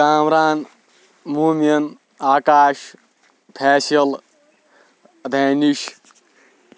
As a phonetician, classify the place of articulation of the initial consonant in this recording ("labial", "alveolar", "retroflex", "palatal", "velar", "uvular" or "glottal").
labial